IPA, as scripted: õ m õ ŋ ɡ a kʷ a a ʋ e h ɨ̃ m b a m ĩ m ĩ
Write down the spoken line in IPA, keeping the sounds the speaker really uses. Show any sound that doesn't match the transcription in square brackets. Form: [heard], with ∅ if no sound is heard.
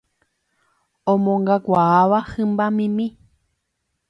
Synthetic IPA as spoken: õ m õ ŋ ɡ a kʷ a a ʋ [a] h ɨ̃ m b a m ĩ m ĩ